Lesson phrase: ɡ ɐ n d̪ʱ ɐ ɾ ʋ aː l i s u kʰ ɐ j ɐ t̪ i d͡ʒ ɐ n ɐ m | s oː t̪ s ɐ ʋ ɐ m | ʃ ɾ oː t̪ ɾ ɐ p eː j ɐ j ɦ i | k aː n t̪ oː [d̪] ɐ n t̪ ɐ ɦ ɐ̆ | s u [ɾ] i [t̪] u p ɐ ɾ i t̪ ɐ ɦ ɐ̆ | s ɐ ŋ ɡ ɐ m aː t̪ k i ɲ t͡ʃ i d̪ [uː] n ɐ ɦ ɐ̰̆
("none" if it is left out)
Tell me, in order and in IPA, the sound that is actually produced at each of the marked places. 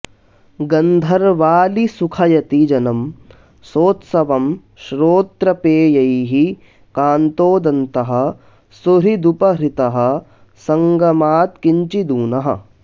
d̪, ɾ, d̪, uː

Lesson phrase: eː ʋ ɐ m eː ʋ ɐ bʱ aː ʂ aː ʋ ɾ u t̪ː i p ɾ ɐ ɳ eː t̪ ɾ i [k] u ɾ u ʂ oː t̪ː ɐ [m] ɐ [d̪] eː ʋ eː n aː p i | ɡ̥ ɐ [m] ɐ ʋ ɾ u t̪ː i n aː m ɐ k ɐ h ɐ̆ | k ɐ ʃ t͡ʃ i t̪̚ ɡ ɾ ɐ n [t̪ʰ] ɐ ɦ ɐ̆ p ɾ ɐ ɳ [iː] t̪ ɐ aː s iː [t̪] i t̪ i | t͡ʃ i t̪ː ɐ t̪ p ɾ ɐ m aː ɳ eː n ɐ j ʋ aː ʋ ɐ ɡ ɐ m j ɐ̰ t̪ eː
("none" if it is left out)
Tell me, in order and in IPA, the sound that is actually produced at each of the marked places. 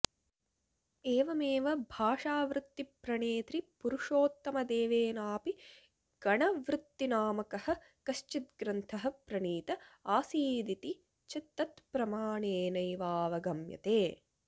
p, m, d̪, ɳ, t̪ʰ, iː, d̪

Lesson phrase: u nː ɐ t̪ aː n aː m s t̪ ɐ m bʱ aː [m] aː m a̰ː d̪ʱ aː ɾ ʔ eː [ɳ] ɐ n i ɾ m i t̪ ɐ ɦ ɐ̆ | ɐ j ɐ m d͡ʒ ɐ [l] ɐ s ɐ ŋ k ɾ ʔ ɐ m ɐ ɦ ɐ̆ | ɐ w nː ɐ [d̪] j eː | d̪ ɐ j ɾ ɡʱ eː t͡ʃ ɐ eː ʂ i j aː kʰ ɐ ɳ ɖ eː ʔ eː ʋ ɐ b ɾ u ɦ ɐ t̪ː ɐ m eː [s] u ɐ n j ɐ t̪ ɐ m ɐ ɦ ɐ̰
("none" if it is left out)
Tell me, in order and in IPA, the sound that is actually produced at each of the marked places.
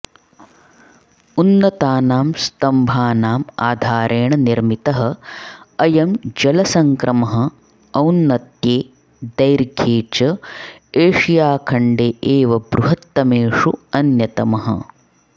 n, ɳ, l, t̪, ʂ

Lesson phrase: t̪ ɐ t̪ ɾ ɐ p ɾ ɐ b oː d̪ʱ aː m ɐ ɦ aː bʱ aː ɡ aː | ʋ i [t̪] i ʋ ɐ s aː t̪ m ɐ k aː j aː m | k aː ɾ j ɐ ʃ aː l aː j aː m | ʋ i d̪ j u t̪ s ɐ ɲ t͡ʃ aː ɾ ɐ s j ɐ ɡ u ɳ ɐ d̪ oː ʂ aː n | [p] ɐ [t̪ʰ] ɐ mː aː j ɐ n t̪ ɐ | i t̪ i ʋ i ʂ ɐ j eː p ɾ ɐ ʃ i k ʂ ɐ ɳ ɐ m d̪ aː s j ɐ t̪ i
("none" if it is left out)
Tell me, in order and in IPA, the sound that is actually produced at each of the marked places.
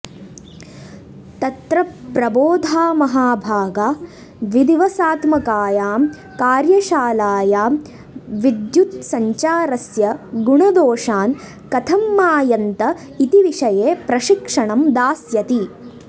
d̪, k, t̪ʰ

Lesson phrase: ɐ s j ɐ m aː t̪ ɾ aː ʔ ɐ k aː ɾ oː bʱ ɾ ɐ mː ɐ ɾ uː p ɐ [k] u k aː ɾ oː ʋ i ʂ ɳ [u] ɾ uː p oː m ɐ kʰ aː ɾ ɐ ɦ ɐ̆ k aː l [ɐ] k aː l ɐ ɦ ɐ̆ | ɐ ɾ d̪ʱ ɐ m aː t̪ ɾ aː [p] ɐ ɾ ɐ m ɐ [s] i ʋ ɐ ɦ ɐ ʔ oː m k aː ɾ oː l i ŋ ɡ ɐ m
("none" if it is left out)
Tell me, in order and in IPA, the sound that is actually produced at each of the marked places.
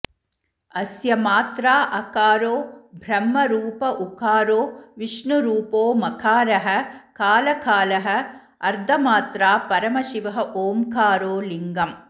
ʔ, u, ɐ, p, ʃ

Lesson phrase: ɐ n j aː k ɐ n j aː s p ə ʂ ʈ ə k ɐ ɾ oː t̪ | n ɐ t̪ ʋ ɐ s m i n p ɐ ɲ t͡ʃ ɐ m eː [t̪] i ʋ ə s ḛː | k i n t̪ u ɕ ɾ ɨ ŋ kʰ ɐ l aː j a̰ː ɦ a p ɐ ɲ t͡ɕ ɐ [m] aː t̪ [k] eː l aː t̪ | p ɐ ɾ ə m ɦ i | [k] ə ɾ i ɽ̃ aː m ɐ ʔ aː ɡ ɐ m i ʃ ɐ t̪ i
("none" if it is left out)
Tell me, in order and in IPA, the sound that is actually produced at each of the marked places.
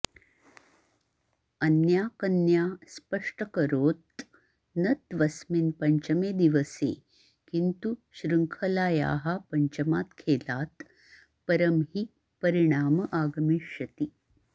d̪, m, kʰ, p

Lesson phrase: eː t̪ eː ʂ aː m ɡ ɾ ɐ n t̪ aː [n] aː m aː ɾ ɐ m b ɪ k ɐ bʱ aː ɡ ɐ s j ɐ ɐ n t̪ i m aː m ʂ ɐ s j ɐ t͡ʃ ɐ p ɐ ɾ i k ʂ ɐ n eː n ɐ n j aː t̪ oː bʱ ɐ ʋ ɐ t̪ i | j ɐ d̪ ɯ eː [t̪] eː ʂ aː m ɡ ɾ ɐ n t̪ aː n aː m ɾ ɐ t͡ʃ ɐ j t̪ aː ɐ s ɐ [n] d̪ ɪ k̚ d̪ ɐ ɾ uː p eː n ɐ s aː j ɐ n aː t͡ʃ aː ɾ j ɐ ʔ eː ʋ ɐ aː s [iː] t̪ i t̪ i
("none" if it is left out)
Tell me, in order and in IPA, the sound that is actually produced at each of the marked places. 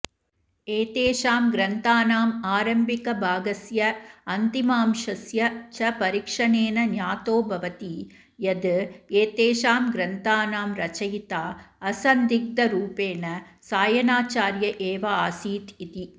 n, t̪, n, iː

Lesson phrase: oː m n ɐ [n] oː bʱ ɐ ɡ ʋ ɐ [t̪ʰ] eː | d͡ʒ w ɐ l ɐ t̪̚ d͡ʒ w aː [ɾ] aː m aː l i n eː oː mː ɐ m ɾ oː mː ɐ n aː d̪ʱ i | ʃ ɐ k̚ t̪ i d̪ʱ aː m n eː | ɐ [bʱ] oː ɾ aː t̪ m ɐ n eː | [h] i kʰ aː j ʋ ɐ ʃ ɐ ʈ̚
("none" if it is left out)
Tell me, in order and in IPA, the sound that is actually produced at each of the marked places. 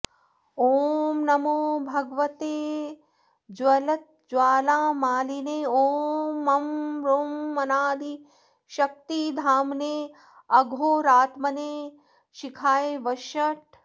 m, t̪, l, ɡʱ, ʃ

